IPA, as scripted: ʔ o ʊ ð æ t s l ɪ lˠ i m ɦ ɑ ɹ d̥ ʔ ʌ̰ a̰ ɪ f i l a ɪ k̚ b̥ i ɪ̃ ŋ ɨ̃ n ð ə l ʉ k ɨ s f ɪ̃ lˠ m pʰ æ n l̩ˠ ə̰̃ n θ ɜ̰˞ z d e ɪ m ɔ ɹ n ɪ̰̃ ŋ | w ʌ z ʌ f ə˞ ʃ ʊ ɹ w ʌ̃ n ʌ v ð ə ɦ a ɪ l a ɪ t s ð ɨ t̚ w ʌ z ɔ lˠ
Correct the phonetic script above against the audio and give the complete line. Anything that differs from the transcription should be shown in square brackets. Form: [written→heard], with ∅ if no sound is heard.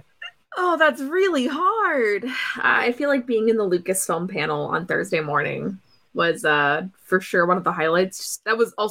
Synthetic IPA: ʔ o ʊ ð æ t s [l→ɹ] ɪ lˠ i [m→∅] ɦ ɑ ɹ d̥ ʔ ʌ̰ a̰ ɪ f i l a ɪ k̚ b̥ i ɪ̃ ŋ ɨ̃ n ð ə l ʉ k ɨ s f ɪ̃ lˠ m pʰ æ n l̩ˠ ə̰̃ n θ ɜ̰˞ z d e ɪ m ɔ ɹ n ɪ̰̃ ŋ | w ʌ z ʌ f ə˞ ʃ ʊ ɹ w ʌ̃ n ʌ v ð ə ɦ a ɪ l a ɪ t s ð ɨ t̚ w ʌ z ɔ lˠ